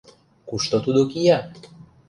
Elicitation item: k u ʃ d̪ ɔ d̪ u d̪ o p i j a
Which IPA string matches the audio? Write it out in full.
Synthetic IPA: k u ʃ t̪ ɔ t̪ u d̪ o k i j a

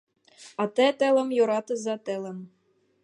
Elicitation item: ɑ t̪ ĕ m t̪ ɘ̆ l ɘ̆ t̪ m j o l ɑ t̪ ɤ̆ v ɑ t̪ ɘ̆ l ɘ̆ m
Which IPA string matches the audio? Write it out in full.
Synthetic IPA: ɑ t̪ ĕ t̪ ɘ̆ l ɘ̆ m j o ɾ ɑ t̪ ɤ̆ z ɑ t̪ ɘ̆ l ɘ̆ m

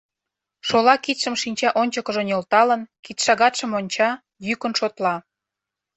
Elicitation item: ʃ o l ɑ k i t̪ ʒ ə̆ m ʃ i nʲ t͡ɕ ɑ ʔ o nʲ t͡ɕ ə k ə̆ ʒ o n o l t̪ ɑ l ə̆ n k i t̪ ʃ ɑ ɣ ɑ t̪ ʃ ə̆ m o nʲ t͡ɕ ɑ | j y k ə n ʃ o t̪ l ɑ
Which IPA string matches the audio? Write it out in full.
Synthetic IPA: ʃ o l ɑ k i t̪ ʃ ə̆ m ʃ i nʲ t͡ɕ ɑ ʔ o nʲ t͡ɕ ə k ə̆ ʒ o n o l t̪ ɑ l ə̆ n k i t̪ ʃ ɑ ɣ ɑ t̪ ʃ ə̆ m o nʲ t͡ɕ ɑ | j y k ə n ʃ o t̪ l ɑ

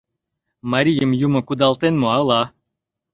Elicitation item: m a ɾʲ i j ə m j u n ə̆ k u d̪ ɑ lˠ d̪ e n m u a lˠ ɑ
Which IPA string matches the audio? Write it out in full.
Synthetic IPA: m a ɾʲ i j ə m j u m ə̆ k u d̪ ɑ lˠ t̪ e n m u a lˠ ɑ

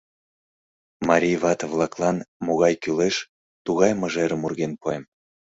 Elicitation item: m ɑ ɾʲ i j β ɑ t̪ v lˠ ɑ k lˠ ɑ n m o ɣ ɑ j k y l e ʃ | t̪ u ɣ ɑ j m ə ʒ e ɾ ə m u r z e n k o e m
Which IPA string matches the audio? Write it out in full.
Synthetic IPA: m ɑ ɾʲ i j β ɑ t̪ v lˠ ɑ k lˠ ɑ n m o ɣ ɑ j k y l e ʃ | t̪ u ɣ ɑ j m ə ʒ e ɾ ə m u r ɣ e n p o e m

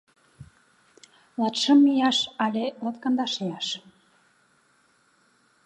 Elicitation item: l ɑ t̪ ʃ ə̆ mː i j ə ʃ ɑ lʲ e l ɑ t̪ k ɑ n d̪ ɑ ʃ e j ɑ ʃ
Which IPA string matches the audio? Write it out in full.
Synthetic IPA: l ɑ t̪ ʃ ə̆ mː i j ɑ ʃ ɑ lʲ e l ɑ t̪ k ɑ n d̪ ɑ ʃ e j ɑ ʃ

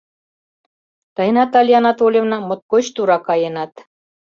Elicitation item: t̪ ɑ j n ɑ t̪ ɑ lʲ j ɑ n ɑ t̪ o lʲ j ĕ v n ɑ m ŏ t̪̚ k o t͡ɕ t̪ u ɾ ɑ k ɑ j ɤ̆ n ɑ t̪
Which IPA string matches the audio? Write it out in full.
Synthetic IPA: t̪ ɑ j n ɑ t̪ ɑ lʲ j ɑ n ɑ t̪ o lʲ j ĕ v n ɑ m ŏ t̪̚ k o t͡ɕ t̪ u ɾ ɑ k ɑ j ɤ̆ n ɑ t̪

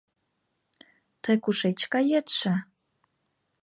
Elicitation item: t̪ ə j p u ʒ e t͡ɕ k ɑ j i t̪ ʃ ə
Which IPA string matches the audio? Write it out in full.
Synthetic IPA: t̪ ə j k u ʃ e t͡ɕ k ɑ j e t̪ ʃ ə

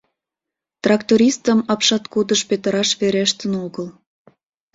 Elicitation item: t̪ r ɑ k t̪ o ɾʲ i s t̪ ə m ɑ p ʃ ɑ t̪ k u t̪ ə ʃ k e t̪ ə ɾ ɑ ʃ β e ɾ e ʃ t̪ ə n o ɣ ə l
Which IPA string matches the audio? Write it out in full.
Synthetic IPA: t̪ r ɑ k t̪ o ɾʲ i s t̪ ə m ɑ p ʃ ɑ t̪ k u d̪ ə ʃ p e t̪ ə ɾ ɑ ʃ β e ɾ e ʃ t̪ ə n o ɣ ə l

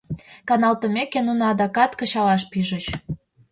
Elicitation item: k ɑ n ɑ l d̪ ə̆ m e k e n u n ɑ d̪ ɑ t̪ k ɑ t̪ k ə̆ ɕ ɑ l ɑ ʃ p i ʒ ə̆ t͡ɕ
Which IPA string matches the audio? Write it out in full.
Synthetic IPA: k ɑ n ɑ l t̪ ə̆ m e k e n u n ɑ d̪ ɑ k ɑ t̪ k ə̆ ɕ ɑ l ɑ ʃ p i ʒ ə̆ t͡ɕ

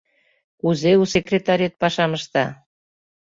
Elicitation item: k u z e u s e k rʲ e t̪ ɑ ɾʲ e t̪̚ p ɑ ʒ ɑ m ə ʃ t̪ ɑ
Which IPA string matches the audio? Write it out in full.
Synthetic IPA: k u z e u s e k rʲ e t̪ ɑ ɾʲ e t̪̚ p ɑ ʃ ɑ m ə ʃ t̪ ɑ

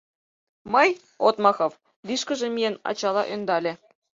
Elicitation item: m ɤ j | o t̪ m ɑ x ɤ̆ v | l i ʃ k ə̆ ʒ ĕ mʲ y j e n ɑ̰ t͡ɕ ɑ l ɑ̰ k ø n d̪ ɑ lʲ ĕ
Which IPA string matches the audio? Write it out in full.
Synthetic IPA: m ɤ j | o t̪ m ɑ x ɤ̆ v | l i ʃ k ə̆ ʒ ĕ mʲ i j e n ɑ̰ t͡ɕ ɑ l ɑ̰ ʔ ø n d̪ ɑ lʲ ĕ

